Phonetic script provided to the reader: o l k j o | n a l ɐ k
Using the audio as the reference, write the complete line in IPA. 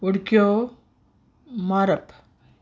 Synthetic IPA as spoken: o ɽ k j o | m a ɾ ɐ p